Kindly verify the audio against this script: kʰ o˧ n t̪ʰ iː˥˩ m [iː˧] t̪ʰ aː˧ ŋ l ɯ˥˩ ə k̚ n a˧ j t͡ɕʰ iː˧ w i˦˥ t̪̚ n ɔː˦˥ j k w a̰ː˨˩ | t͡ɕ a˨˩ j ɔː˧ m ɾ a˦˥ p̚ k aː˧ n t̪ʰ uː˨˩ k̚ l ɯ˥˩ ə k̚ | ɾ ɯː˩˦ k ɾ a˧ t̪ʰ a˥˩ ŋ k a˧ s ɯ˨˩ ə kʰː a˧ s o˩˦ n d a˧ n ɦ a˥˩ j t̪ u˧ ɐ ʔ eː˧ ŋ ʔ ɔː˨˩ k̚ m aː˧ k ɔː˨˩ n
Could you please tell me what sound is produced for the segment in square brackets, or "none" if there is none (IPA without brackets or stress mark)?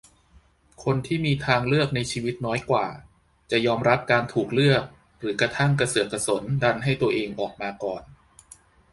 iː˧